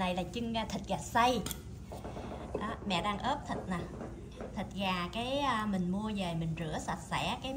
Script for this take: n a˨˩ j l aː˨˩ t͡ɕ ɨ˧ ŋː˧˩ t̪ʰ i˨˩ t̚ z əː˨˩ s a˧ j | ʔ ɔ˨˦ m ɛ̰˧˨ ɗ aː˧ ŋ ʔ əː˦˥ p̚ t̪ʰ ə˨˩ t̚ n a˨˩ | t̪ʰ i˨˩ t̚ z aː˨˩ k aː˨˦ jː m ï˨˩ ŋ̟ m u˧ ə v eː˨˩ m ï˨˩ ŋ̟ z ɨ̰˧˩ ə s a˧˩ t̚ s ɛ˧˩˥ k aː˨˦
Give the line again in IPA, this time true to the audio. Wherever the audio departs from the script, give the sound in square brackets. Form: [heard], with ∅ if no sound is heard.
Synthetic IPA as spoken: n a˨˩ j l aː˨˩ t͡ɕ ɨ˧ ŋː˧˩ t̪ʰ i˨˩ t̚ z [aː˨˩] s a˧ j | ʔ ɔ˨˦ m ɛ̰˧˨ ɗ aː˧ ŋ ʔ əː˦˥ p̚ t̪ʰ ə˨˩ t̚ n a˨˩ | t̪ʰ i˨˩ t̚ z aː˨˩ k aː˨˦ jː m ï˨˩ ŋ̟ m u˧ ə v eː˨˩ m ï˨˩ ŋ̟ z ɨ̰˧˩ ə s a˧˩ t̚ s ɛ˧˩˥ k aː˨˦